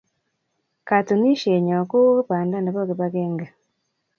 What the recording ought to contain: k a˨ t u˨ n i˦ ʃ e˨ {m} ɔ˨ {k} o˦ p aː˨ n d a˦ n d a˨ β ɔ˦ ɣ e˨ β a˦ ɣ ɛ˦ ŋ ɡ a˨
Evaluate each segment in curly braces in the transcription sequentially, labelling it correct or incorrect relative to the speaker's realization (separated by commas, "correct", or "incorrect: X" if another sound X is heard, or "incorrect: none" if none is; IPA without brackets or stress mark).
incorrect: ɲ, correct